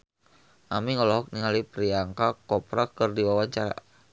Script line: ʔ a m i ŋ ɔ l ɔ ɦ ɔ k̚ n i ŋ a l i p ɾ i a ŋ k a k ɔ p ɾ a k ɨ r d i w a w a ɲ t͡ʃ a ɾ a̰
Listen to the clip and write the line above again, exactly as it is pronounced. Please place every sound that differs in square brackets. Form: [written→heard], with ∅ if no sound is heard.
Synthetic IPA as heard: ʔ a m i ŋ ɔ l ɔ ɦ ɔ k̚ n i ŋ a l i p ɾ i a ŋ k a k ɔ p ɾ a k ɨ r d i w a w a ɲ t͡ʃ a ɾ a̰